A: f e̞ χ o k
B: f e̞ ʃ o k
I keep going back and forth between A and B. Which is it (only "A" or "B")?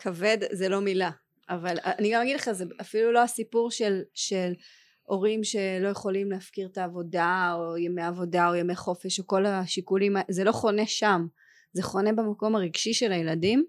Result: B